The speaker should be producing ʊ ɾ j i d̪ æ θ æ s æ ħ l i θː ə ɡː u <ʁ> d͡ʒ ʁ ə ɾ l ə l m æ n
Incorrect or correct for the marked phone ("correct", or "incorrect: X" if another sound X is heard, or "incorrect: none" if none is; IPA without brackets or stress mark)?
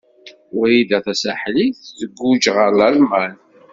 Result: incorrect: none